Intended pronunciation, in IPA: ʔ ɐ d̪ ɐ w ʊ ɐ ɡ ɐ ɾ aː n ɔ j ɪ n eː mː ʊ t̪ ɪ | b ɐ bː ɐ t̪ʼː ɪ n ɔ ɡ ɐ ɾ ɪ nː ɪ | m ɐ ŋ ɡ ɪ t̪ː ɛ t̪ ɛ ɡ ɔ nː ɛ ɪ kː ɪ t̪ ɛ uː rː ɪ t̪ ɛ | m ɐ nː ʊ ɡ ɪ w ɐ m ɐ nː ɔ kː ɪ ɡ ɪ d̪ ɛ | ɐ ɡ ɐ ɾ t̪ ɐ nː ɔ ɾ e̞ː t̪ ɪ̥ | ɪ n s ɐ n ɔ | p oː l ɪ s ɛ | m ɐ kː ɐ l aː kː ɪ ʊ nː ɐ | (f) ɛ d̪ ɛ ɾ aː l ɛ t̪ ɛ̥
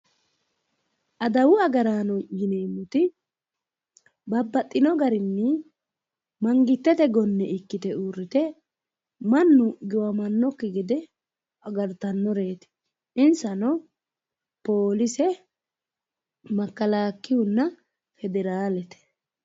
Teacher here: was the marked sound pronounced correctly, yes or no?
yes